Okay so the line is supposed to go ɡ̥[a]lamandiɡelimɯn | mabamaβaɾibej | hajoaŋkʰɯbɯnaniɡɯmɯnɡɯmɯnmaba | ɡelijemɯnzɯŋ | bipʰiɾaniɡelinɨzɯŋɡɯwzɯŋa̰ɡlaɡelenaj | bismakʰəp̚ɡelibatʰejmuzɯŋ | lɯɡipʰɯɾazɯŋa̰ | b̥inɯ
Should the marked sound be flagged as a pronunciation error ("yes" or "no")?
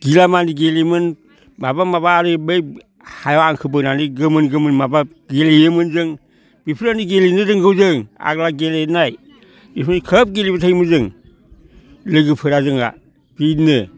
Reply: yes